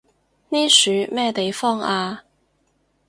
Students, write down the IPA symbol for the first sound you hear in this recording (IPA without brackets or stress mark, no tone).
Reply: n